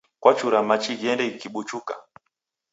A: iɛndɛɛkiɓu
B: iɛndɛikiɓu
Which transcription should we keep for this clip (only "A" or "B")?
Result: B